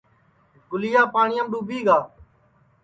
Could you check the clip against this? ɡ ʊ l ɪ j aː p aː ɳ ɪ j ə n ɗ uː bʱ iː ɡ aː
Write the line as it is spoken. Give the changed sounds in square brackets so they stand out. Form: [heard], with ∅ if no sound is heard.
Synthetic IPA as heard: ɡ ʊ l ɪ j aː p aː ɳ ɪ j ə [m] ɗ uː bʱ iː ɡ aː